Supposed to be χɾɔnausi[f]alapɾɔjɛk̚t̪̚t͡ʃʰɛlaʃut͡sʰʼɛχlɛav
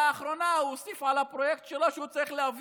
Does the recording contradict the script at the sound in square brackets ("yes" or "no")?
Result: no